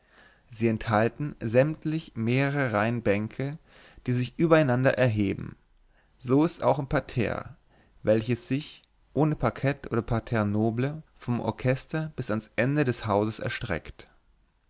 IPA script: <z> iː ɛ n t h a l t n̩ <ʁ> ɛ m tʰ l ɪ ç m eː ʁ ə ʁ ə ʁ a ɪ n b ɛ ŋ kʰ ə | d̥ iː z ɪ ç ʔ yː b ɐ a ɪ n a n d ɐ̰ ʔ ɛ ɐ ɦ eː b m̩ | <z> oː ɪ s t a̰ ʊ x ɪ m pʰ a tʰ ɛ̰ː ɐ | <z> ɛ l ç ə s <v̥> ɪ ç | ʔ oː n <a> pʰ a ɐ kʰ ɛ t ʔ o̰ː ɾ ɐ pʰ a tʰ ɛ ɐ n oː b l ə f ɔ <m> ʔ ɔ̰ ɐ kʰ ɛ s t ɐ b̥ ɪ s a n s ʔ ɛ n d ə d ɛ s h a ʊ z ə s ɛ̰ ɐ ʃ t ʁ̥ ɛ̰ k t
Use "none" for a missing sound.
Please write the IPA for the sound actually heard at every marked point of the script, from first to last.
z, z, z, v, z̥, ə, m

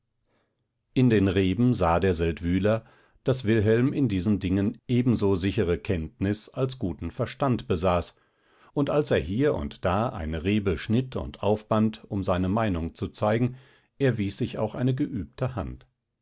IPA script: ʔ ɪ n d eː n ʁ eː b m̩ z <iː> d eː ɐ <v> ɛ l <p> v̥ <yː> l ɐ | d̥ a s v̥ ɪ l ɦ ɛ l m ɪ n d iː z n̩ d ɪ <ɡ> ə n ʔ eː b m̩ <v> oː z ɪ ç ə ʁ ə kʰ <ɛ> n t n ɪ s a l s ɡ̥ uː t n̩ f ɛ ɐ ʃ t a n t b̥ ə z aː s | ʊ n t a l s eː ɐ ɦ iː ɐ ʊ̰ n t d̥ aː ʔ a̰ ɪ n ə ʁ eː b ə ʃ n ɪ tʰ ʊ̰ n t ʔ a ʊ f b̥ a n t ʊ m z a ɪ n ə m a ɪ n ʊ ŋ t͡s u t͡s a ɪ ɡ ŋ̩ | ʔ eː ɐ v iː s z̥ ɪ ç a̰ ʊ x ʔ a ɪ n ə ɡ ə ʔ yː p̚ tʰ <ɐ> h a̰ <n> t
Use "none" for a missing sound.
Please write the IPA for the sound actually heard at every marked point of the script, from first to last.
aː, z, t, yː, ŋ, z, ɛ, ə, n

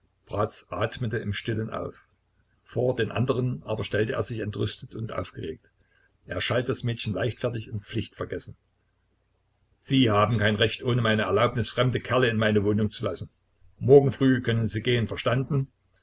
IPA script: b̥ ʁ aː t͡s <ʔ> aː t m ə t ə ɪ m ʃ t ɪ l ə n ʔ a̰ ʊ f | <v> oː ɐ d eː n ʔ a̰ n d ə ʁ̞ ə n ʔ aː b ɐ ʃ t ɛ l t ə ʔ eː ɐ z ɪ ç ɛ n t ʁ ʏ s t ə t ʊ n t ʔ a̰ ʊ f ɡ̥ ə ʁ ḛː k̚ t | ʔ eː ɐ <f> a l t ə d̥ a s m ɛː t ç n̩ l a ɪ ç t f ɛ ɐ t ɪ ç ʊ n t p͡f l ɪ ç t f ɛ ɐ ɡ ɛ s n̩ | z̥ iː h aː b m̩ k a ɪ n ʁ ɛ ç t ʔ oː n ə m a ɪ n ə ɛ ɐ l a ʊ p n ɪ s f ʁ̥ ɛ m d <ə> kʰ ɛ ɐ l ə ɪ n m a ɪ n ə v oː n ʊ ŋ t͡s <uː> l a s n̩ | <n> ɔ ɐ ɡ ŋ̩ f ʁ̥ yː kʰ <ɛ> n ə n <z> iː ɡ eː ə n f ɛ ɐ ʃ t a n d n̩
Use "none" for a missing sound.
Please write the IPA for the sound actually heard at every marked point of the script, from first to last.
ʔ, f, ʃ, ə, u, m, œ, z

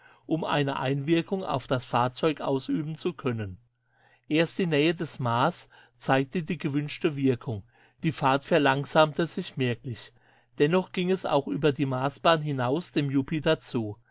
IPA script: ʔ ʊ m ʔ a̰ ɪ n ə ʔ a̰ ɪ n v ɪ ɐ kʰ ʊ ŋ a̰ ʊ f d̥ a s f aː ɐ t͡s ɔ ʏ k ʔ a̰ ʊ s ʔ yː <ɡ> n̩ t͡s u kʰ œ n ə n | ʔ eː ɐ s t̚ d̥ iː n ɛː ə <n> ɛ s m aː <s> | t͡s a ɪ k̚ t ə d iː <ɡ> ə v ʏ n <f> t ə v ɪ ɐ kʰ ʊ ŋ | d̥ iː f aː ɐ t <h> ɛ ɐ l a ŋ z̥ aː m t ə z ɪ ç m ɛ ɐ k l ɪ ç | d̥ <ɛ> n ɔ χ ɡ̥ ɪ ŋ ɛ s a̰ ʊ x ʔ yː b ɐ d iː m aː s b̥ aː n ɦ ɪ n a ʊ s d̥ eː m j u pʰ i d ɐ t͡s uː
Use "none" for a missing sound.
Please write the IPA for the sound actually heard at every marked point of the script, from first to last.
b, d, s, ɡ, ʃ, f, ɛ

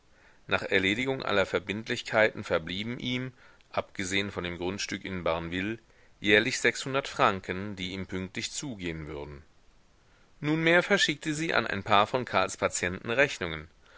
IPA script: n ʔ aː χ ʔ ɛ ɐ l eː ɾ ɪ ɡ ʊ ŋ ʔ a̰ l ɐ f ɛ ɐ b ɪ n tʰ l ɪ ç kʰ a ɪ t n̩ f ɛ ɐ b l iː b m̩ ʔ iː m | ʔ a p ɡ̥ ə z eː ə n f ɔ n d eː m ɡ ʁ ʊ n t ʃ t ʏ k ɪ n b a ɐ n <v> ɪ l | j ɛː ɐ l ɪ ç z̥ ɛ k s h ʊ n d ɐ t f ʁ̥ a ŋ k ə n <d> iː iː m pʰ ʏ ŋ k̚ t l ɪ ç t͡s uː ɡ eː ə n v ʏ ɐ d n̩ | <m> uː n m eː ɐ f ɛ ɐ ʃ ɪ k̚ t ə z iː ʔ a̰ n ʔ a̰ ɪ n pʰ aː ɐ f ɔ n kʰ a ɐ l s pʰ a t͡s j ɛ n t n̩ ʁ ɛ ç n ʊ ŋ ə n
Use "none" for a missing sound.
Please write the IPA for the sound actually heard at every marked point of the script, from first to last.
v, d, n

